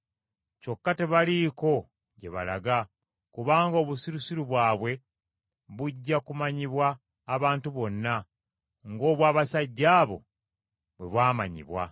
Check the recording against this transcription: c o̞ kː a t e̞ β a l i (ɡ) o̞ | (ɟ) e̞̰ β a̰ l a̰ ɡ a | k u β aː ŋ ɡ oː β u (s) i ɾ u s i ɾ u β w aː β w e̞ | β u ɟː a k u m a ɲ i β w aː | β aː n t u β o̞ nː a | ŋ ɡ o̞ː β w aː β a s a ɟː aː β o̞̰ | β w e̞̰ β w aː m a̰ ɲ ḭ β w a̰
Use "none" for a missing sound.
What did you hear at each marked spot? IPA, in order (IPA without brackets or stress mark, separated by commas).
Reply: k, ɟ, s